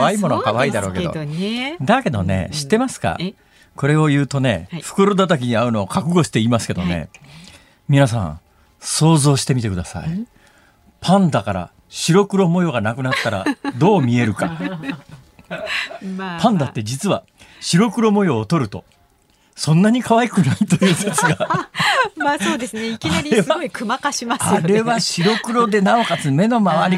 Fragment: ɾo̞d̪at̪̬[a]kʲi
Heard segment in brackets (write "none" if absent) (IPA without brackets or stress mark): a